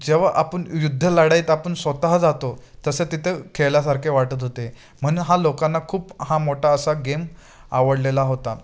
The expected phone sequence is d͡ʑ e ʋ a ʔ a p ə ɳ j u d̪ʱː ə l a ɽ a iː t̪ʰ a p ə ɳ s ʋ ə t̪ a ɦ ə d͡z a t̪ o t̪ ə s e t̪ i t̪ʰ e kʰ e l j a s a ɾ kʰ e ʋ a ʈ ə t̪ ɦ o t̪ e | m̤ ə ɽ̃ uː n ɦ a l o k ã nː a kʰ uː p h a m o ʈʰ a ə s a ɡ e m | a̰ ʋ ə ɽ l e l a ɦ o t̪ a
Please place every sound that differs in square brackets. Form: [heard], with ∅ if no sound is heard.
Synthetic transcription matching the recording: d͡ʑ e ʋ a ʔ a p ə ɳ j u d̪ʱː ə l a ɽ a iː [t̪] a p ə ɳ s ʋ ə t̪ a ɦ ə d͡z a t̪ o t̪ ə s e t̪ i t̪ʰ e kʰ e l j a s a ɾ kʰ e ʋ a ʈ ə t̪ ɦ o t̪ e | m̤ ə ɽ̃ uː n ɦ a l o k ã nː a kʰ uː p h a m o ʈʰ a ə s a ɡ e m | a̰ ʋ ə ɽ l e l a ɦ o t̪ a